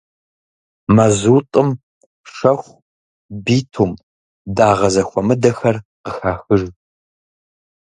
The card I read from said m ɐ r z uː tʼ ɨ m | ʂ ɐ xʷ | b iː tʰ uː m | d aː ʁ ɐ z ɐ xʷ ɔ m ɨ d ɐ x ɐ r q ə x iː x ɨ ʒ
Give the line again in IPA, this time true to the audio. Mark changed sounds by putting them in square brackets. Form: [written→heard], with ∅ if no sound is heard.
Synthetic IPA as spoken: m ɐ [r→∅] z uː tʼ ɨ m | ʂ ɐ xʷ | b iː tʰ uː m | d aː ʁ ɐ z ɐ xʷ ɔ m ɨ d ɐ x ɐ r q ə x [iː→aː] x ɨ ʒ